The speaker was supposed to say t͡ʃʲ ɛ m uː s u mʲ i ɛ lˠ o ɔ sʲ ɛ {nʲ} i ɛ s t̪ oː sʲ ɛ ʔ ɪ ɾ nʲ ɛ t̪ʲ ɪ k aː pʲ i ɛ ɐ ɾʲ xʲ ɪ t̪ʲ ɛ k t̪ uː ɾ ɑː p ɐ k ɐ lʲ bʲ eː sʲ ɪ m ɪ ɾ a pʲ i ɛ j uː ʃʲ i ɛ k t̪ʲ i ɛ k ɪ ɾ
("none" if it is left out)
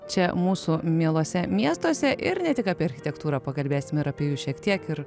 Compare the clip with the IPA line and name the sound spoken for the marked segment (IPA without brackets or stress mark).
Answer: mʲ